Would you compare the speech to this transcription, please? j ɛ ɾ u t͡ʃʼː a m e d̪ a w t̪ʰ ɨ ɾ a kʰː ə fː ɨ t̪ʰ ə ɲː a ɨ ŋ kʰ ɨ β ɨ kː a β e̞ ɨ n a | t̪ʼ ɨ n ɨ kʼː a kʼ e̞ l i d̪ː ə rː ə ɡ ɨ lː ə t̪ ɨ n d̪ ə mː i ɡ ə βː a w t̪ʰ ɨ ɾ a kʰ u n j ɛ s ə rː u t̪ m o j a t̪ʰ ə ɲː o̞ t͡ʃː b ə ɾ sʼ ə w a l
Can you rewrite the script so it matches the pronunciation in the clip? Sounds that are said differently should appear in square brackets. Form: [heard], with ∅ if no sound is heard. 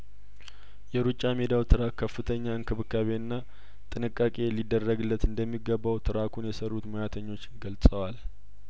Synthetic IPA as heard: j ɛ ɾ u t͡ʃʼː a m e d̪ a w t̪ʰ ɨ ɾ a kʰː ə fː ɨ t̪ʰ ə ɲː a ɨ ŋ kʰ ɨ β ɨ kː a β e̞ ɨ [nː] a | t̪ʼ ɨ n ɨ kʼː a kʼ e̞ l i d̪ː ə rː ə ɡ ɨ lː ə t̪ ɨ n d̪ ə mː i ɡ ə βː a w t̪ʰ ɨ ɾ a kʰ u n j ɛ s ə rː u t̪ m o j a t̪ʰ ə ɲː o̞ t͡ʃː [ɡ] ə [l] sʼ ə w a l